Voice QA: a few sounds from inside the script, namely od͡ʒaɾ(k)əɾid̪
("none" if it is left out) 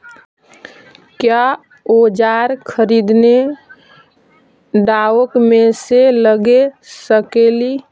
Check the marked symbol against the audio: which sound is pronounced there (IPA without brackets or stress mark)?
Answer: kʰ